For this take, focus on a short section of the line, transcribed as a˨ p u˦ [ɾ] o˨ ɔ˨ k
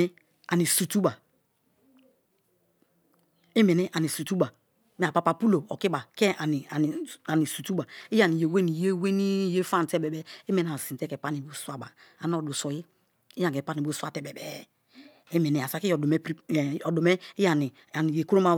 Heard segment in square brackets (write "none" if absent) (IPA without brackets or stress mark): l